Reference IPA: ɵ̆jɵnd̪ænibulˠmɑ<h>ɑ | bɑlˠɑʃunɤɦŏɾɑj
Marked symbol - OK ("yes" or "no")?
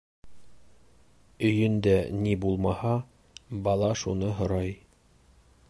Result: yes